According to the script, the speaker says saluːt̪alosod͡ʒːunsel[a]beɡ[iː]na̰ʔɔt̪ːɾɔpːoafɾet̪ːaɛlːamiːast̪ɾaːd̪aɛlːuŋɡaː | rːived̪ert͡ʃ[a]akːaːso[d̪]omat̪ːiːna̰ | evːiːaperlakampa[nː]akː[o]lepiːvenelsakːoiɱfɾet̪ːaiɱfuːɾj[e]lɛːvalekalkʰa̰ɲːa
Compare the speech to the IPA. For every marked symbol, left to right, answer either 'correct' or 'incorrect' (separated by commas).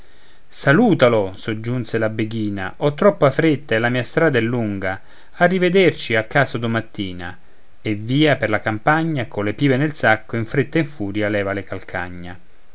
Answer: correct, correct, incorrect, correct, incorrect, correct, incorrect